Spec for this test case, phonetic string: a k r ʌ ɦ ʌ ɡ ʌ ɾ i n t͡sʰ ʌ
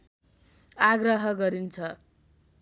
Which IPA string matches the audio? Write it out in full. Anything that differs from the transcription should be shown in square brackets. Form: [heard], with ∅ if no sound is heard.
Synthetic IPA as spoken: a [ɡ] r ʌ ɦ ʌ ɡ ʌ ɾ i n t͡sʰ ʌ